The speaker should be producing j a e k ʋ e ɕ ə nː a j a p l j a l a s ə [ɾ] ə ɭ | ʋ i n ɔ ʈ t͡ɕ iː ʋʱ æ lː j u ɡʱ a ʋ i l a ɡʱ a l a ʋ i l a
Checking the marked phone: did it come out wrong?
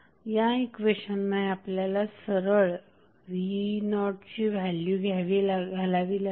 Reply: no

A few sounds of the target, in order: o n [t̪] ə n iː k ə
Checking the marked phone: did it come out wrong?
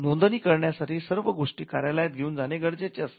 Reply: yes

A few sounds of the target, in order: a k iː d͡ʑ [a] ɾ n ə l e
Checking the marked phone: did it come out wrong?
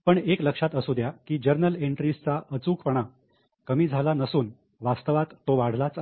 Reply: yes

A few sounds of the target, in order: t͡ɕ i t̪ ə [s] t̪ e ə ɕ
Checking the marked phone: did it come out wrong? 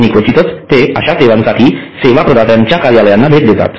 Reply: yes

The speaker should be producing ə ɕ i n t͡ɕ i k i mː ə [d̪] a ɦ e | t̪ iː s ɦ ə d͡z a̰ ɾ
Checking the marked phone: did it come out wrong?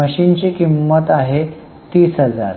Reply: yes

